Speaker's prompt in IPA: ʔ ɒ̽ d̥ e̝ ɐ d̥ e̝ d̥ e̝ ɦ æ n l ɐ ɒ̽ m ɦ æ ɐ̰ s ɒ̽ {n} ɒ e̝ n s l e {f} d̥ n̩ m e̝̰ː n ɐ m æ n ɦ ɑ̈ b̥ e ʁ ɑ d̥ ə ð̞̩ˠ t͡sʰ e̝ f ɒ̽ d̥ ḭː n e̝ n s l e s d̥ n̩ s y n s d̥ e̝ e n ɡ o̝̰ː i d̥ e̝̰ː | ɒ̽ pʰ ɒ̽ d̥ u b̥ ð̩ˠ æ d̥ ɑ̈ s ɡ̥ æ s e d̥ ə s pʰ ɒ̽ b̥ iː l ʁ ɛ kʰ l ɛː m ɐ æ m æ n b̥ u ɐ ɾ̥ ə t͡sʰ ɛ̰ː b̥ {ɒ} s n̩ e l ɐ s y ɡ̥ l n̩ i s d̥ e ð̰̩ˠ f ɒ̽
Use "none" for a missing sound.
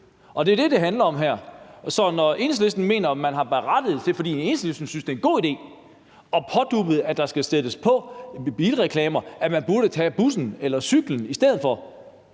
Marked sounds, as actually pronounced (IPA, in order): n, s, u

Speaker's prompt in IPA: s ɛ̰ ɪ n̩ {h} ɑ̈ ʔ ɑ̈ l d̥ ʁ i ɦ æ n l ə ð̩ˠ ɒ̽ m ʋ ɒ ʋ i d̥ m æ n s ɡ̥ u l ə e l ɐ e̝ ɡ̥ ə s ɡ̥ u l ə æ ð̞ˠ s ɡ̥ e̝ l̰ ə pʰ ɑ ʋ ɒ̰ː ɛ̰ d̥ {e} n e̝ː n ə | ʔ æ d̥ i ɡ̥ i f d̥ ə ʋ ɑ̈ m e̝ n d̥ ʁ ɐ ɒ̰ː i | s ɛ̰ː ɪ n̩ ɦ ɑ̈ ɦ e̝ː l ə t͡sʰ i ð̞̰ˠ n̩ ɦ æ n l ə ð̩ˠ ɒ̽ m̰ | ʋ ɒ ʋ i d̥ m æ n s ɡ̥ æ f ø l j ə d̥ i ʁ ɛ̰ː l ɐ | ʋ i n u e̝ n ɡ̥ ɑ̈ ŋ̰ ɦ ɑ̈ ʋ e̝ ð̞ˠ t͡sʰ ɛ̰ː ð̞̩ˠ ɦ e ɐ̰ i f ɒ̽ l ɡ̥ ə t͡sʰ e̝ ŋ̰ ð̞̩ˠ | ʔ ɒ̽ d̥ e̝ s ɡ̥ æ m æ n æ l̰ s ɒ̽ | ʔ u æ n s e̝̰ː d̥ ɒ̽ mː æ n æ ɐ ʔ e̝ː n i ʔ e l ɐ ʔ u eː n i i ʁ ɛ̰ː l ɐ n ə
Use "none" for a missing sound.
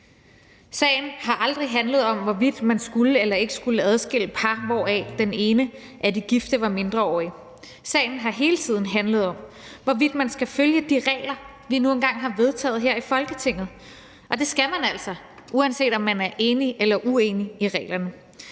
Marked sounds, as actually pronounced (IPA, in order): h, e

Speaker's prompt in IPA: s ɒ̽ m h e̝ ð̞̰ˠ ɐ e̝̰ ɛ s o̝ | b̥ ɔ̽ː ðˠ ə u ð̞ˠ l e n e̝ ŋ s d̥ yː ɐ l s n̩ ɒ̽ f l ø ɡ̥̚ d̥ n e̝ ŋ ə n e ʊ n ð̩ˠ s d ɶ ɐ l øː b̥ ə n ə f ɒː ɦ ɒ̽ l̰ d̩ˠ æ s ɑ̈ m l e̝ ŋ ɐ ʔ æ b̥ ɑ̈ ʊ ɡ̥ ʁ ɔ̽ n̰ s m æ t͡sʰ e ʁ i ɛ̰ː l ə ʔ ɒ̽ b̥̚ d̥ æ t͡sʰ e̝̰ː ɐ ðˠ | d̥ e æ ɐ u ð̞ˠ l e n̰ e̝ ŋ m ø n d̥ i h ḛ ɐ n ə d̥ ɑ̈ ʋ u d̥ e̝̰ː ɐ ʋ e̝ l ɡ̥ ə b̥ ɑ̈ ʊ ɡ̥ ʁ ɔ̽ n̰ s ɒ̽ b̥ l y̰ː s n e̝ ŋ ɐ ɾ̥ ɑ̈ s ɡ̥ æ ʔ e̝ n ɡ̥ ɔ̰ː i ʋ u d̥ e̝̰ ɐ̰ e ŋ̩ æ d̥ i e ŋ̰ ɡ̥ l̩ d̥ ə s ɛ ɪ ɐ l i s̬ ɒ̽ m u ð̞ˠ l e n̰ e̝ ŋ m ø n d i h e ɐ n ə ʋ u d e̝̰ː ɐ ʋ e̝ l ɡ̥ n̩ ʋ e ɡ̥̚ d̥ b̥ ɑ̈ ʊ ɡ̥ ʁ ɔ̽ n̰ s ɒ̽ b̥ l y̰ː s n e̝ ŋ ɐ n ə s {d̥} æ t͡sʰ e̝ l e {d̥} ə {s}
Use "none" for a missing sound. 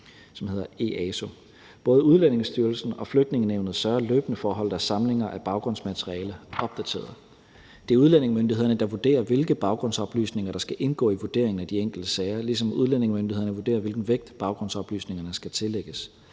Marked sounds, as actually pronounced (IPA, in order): ɡ̥, ɡ̥, s

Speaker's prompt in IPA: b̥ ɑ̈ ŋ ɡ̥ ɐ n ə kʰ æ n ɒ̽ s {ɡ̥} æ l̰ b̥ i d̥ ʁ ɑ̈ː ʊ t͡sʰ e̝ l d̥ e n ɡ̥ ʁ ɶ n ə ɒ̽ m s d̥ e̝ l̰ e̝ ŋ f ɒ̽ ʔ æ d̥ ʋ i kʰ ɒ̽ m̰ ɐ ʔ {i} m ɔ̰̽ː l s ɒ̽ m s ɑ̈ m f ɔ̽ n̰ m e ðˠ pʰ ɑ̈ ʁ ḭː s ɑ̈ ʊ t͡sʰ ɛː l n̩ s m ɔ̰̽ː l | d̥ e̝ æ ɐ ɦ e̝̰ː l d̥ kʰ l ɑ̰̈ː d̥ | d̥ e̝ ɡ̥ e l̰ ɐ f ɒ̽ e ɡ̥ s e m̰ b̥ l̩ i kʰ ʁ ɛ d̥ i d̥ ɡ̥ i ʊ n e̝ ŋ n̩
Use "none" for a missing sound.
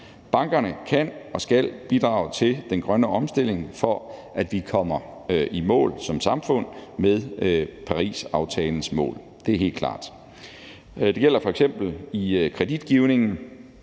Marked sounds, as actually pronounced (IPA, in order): ɡ̥, i

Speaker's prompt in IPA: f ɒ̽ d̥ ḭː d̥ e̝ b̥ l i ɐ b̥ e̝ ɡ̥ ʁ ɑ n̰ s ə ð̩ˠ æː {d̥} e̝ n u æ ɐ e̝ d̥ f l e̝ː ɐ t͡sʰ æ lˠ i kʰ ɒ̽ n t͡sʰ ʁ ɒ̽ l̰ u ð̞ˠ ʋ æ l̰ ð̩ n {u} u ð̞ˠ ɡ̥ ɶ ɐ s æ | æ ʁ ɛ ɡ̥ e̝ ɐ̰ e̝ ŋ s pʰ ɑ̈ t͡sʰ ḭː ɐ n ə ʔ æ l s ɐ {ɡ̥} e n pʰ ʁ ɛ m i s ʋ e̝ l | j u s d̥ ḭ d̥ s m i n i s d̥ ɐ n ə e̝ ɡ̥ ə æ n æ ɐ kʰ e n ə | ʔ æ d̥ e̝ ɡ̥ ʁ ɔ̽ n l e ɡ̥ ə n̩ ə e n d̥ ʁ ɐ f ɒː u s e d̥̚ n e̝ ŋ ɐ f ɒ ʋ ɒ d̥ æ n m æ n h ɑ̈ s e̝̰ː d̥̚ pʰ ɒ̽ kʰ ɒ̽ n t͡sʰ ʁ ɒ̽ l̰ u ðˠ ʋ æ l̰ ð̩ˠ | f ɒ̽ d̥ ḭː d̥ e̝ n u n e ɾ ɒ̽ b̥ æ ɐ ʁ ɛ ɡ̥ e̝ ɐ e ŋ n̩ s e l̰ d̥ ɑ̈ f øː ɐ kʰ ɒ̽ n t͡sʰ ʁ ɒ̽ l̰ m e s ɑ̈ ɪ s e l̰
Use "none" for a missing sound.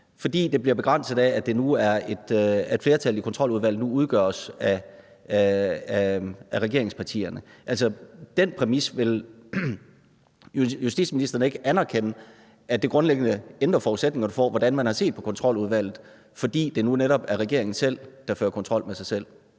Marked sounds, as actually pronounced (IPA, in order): d̥, u, d̥

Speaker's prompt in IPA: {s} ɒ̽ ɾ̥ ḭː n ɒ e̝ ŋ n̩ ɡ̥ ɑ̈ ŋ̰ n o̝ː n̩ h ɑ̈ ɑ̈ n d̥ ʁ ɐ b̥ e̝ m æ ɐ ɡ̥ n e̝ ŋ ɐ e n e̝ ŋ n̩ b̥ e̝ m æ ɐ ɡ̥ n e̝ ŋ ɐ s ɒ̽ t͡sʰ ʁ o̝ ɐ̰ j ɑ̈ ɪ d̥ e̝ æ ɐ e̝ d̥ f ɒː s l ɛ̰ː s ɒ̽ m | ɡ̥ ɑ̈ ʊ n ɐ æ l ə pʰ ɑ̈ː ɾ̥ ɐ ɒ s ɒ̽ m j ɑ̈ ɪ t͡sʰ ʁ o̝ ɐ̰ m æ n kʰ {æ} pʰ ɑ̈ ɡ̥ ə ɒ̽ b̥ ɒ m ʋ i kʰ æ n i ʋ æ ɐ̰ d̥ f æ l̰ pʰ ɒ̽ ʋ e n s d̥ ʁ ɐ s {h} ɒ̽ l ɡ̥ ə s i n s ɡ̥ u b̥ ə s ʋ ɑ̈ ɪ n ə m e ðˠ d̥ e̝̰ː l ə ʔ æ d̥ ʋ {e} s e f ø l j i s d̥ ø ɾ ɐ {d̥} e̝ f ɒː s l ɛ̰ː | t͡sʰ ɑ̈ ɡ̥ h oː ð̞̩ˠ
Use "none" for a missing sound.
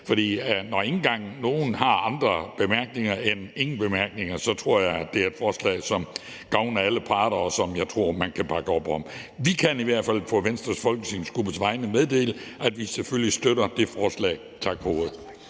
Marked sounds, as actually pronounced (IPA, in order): f, æ, f, i, d̥

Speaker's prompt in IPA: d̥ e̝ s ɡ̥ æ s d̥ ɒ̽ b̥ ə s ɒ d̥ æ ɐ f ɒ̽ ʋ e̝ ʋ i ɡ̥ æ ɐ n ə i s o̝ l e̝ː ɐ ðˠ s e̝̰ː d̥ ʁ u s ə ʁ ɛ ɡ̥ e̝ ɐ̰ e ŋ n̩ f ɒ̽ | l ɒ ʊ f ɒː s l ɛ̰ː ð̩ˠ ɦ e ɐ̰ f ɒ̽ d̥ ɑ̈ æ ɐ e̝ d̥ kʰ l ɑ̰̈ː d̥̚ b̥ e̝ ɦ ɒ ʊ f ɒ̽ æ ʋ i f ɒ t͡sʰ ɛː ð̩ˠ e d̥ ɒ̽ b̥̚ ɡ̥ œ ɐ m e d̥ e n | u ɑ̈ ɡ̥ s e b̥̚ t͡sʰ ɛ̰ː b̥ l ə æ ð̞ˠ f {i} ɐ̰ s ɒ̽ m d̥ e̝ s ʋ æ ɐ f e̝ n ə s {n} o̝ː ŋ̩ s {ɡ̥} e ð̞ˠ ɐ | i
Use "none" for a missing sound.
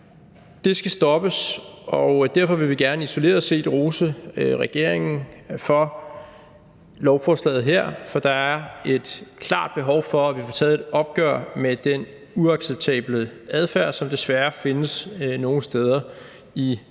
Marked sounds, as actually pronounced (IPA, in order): æ, n, d̥

